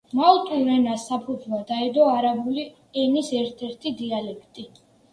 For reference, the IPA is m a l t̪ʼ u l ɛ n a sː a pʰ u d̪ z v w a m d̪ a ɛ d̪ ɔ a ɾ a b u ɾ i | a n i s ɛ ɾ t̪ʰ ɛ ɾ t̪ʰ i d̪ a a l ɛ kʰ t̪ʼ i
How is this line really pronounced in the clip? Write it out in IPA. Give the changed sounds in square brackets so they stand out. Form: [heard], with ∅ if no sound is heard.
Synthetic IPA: m a l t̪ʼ u [ɾ] ɛ n a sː a pʰ u d̪ z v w a [∅] d̪ a ɛ d̪ ɔ a ɾ a b u [l] i | [ɛ] n i s ɛ ɾ t̪ʰ ɛ ɾ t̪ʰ i d̪ [i] a l ɛ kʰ t̪ʼ i